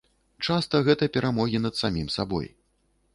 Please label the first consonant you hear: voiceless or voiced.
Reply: voiceless